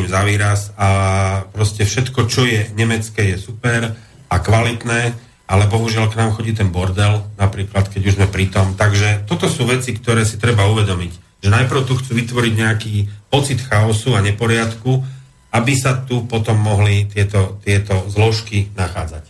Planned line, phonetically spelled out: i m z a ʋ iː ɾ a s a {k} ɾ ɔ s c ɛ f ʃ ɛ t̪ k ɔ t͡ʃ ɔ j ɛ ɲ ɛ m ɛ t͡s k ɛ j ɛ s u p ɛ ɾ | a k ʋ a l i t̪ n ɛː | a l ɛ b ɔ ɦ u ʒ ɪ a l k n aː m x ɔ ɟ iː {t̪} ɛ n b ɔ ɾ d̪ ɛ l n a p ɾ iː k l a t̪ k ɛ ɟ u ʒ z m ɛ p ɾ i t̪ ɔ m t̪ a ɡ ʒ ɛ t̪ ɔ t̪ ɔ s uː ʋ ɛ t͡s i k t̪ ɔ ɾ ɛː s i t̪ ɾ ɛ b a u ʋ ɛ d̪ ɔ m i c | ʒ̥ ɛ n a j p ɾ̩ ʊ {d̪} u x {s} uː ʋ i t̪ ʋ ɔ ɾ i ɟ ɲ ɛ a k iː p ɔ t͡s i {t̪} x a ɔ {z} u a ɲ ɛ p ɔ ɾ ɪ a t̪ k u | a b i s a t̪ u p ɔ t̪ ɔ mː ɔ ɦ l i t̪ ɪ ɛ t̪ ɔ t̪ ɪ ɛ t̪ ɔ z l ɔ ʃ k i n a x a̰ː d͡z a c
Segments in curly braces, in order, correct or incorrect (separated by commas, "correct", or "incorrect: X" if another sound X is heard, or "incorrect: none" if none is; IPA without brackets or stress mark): incorrect: p, correct, incorrect: t̪, incorrect: t͡s, correct, incorrect: s